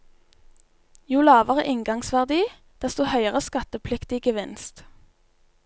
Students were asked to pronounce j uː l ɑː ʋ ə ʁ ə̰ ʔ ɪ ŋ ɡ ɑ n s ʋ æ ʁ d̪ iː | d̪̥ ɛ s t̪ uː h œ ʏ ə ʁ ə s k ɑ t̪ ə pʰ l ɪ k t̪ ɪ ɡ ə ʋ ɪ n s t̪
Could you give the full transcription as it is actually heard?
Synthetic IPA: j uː l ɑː ʋ ə ʁ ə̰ ʔ ɪ ŋ ɡ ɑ ŋ s ʋ æ ʁ d̪ iː | d̪̥ ɛ s t̪ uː h œ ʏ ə ʁ ə s k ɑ t̪ ə pʰ l ɪ k t̪ ɪ ɡ ə ʋ ɪ n s t̪